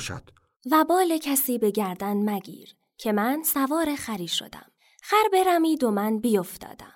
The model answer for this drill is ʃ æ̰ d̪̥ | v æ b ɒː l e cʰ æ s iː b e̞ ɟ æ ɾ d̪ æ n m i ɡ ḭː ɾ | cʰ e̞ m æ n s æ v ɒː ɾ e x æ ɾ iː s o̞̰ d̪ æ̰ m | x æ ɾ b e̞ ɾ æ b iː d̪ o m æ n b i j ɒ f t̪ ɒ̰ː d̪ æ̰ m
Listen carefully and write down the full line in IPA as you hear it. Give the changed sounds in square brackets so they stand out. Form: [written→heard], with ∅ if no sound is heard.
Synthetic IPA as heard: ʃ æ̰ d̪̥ | v æ b ɒː l e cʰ æ s iː b e̞ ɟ æ ɾ d̪ æ n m [i→æ] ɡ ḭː ɾ | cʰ e̞ m æ n s æ v ɒː ɾ e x æ ɾ iː [s→ʃ] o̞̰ d̪ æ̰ m | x æ ɾ b e̞ ɾ æ [b→m] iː d̪ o m æ n b i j [ɒ→o] f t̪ ɒ̰ː d̪ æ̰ m